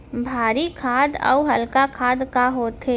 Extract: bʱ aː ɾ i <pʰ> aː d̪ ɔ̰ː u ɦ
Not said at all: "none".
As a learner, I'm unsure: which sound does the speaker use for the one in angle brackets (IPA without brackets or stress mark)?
kʰ